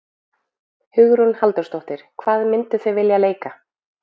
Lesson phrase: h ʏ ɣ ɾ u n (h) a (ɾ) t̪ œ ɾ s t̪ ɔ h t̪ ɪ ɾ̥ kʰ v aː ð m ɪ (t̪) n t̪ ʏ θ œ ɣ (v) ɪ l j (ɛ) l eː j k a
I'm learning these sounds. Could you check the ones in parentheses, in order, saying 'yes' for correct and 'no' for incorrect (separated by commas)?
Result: yes, no, no, yes, no